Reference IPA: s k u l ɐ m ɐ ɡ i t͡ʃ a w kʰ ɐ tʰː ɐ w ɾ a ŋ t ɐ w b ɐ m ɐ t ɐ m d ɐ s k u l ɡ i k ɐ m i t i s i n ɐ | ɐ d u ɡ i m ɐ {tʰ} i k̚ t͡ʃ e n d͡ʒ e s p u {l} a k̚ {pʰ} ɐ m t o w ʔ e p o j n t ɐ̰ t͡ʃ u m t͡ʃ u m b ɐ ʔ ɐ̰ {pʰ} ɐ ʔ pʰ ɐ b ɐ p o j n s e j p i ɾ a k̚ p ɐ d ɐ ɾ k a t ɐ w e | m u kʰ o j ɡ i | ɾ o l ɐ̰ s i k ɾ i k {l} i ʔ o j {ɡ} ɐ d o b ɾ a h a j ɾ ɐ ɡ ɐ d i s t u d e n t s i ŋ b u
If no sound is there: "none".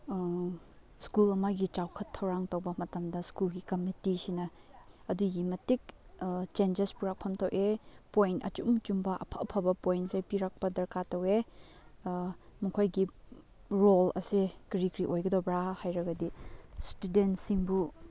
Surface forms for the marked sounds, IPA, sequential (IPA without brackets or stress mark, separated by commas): t, ɾ, pʰ, pʰ, ɾ, ɡ